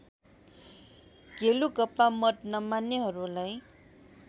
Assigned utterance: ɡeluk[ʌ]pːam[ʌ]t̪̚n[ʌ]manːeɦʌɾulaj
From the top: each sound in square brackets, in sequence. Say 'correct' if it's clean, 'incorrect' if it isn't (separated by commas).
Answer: correct, correct, correct